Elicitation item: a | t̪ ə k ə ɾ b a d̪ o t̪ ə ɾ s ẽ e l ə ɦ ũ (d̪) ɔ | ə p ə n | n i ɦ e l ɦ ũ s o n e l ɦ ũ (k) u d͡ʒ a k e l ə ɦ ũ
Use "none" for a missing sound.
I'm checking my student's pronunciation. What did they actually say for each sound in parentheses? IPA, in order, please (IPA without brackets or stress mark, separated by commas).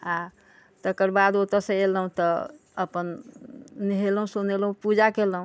t̪, p